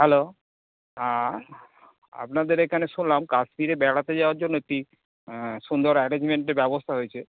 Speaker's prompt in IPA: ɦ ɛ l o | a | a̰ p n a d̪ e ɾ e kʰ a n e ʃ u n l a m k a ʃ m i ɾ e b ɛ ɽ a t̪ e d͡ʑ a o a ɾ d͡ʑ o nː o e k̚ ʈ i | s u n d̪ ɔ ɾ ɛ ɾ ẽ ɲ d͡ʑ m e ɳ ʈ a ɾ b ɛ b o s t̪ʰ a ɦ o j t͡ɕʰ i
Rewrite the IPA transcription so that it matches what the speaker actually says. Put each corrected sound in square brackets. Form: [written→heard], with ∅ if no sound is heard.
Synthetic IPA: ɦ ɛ l o | a | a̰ p n a d̪ e ɾ e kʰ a n e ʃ u n l a m k a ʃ m i ɾ e b ɛ ɽ a t̪ e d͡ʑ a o a ɾ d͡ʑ o nː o e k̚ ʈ i | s u n d̪ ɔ ɾ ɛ ɾ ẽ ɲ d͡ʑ m e ɳ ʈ [a→e] ɾ b ɛ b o s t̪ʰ a ɦ o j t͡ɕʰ [i→e]